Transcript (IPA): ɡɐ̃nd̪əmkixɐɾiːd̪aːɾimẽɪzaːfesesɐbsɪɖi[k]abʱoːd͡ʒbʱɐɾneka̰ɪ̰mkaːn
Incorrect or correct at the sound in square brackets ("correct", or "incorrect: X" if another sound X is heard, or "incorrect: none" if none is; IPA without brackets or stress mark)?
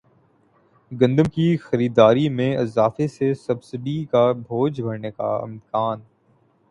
correct